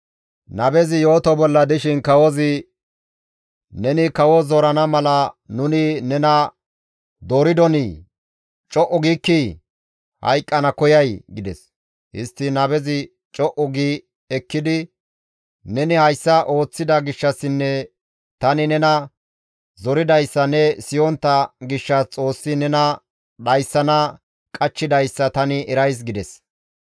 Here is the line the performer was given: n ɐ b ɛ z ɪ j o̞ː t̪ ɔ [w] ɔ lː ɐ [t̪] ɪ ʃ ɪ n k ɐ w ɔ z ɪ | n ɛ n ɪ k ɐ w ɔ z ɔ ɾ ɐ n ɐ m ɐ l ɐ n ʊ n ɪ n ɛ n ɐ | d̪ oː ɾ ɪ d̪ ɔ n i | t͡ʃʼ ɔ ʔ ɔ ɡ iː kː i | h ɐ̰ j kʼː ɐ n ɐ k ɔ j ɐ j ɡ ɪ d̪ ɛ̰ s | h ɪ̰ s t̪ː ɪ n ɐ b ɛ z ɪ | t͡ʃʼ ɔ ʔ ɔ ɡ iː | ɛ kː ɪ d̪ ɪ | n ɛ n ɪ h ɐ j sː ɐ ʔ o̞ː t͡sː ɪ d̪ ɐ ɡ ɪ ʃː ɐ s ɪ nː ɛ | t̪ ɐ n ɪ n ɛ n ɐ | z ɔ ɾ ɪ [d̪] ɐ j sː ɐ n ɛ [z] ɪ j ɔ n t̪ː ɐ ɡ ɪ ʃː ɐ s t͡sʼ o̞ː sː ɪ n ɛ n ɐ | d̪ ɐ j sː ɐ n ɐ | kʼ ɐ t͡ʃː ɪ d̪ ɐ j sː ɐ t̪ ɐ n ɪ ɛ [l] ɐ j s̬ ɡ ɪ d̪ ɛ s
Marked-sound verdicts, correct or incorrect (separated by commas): incorrect, incorrect, correct, incorrect, incorrect